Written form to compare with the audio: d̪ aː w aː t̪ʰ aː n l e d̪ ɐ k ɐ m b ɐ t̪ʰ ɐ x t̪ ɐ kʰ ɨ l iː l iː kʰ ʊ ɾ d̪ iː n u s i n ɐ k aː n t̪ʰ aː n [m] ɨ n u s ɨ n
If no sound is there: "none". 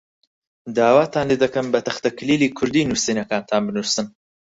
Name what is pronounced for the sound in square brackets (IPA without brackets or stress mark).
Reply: b